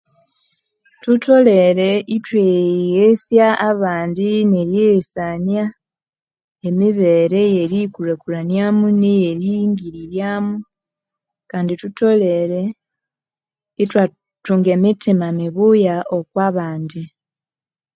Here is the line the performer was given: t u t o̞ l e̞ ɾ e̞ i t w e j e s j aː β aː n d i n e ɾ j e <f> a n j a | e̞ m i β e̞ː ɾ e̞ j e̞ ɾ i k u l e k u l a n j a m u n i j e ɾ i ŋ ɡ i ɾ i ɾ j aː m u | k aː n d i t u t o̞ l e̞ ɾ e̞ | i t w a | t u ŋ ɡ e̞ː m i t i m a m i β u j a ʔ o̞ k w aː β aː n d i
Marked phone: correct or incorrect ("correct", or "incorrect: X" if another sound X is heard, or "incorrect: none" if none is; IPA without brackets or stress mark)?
incorrect: s